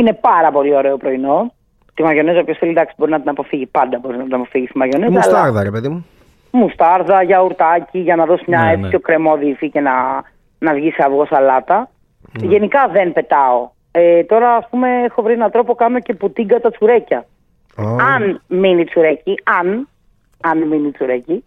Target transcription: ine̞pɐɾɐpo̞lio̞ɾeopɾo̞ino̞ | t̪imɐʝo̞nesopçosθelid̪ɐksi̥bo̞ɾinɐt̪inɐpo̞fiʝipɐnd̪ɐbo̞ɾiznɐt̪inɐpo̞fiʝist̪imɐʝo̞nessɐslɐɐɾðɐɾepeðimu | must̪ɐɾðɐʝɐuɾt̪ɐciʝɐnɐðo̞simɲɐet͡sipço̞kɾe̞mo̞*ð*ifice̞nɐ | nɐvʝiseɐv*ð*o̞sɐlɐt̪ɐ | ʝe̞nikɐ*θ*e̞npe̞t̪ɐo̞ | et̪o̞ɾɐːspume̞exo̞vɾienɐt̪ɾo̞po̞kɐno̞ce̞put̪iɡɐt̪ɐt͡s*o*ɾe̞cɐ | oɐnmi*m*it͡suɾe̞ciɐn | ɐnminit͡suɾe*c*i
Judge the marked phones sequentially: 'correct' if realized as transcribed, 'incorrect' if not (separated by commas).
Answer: correct, incorrect, incorrect, incorrect, incorrect, correct